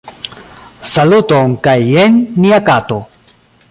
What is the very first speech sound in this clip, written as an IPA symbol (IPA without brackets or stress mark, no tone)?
s